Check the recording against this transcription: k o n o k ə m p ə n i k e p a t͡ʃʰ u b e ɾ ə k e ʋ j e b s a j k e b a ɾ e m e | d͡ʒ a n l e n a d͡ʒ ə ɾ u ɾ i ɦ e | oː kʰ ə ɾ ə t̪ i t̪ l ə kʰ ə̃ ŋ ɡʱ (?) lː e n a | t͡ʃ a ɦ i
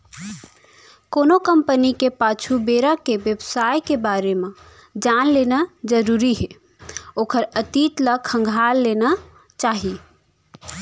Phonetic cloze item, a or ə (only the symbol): a